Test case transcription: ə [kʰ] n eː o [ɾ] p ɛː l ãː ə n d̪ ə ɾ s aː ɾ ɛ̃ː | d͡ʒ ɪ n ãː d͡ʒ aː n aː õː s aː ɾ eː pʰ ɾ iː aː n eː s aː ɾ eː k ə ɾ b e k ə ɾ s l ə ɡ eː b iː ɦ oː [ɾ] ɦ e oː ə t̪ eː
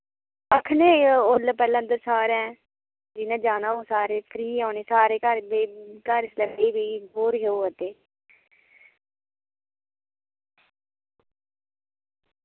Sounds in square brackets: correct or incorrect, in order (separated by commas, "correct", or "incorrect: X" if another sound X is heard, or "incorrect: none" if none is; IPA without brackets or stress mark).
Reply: correct, incorrect: l, correct